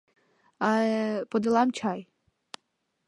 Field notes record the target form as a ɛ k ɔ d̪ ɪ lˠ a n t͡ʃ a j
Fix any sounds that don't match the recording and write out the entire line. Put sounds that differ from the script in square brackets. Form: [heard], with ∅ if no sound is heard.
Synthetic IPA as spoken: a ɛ [p] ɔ d̪ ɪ lˠ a [m] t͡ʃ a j